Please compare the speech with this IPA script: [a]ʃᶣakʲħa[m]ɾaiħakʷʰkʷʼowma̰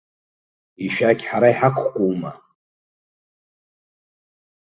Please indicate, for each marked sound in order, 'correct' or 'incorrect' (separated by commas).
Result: incorrect, incorrect